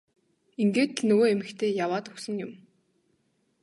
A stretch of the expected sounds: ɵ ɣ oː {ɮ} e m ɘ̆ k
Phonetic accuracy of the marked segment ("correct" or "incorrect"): incorrect